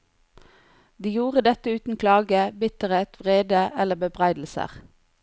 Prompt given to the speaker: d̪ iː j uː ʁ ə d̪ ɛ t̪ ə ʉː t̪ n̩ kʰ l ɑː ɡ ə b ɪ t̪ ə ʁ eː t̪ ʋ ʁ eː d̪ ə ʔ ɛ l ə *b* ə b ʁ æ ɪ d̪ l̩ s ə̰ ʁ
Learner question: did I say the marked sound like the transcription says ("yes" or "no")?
yes